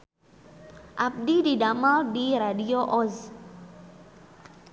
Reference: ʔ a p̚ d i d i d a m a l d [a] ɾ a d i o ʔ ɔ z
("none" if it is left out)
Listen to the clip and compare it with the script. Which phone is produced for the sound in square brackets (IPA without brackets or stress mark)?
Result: i